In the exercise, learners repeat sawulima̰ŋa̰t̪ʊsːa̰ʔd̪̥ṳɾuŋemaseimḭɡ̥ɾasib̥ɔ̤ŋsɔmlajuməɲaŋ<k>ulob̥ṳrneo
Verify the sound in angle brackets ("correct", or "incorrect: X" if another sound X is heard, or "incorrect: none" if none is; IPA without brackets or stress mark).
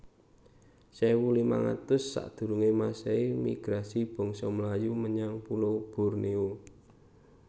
incorrect: p